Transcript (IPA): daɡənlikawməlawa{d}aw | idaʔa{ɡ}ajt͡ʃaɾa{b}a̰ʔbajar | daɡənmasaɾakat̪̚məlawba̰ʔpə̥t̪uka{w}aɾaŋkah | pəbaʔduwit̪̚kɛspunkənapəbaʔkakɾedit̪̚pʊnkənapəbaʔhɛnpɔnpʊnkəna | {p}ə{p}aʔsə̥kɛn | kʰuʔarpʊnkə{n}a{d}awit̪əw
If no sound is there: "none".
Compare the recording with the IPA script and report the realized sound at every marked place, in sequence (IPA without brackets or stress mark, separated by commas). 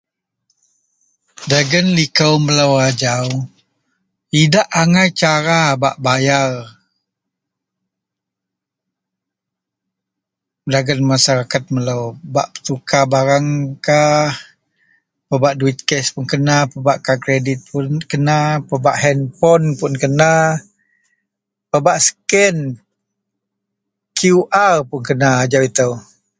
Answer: d͡ʒ, ŋ, b, b, p, b, n, d͡ʒ